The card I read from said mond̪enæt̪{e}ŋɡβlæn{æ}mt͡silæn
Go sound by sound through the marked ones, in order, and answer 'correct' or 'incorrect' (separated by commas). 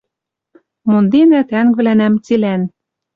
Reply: incorrect, correct